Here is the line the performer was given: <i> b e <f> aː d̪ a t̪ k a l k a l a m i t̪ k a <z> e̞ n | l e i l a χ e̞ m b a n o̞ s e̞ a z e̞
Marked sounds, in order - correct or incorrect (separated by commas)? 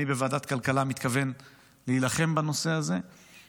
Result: correct, incorrect, incorrect